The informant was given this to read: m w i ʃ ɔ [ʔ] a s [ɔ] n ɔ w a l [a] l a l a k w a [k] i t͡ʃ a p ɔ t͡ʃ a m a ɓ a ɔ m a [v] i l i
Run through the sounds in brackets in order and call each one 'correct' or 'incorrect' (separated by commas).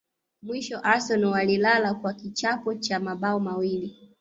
correct, correct, incorrect, correct, incorrect